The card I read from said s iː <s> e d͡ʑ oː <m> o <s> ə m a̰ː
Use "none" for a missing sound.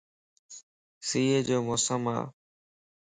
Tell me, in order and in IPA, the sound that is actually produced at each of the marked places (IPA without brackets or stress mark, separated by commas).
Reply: none, m, s